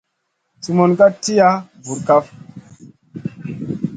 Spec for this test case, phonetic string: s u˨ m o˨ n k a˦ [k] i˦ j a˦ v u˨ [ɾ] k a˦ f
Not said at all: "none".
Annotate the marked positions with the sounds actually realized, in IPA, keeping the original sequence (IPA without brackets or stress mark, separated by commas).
t, ɾ